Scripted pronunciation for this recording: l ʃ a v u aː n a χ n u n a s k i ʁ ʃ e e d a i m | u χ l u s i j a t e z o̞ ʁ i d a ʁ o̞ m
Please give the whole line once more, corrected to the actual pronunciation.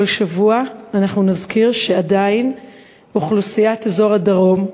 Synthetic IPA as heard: l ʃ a v u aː n a χ n u n a z k i ʁ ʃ e a d a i n | u χ l u s i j a t e z o̞ ʁ a d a ʁ o̞ m

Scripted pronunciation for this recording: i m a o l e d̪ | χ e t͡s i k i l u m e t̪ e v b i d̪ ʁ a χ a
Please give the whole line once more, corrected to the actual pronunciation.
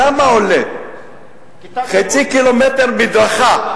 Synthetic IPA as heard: a m a o l e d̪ | χ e t͡s i k i l o m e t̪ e ʁ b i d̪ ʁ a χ a

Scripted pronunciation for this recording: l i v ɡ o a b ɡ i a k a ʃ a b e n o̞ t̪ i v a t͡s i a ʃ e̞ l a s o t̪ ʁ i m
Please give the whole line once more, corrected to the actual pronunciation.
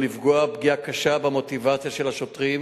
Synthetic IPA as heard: l i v ɡ o a b ɡ i a k a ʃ a b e m o̞ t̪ i v a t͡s j a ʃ e̞ l a ʃ o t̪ ʁ i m

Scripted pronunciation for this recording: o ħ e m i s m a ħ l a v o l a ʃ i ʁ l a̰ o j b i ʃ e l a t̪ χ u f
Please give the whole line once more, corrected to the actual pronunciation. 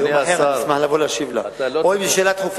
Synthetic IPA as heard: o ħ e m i s m a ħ l a v o l a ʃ i v l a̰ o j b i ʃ e l a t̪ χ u f

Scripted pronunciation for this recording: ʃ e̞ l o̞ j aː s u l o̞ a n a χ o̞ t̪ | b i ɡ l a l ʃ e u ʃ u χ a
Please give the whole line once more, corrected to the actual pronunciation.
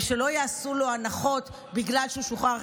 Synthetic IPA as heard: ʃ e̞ l o̞ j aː s u l o̞ a n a χ o̞ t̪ | b i ɡ l a l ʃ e u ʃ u χ a

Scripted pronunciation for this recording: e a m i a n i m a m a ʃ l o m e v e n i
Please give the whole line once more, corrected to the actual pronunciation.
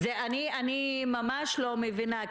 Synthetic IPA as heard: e a n i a n i m a m a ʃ l o m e v i n a

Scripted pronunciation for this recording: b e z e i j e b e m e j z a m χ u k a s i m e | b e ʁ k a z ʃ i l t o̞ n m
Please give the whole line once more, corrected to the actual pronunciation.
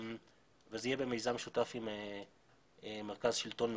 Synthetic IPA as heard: v e z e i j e b e m e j z a m ʃ u t a f i m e | m e ʁ k a z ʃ i l t o̞ n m

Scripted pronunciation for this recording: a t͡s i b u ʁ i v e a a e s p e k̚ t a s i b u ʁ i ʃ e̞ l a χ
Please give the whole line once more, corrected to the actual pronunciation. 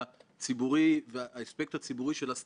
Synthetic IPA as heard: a t͡s i b u ʁ i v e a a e s p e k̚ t a t͡s i b u ʁ i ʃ e̞ l a s

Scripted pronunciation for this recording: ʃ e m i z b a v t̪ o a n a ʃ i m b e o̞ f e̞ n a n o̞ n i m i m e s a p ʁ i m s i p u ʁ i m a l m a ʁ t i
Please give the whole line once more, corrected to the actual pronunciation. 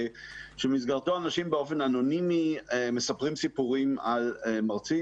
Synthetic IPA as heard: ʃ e m i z ɡ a ʁ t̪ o a n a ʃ i m b e o̞ f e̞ n a n o̞ n i m i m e s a p ʁ i m s i p u ʁ i m a l m a ʁ t͡s i

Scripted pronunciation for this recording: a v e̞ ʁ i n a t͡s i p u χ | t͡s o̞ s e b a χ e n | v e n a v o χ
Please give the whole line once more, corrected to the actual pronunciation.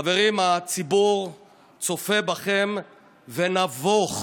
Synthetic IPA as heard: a v e̞ ʁ i m a t͡s i b u ʁ | t͡s o̞ f e b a χ e m | v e n a v o χ

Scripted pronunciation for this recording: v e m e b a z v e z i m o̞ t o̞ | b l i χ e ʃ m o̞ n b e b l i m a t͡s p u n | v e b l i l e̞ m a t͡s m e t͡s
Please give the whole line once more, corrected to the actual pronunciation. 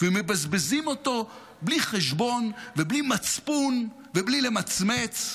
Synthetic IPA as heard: v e m e b a z b e z i m o̞ t o̞ | b l i χ e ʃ b o̞ n v e b l i m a t͡s p u n | v e b l i l e̞ m a t͡s m e t͡s

